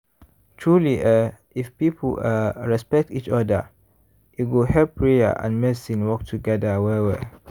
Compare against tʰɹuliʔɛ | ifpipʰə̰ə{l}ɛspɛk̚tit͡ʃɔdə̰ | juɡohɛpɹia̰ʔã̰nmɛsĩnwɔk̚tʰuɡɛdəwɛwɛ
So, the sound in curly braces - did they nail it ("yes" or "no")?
no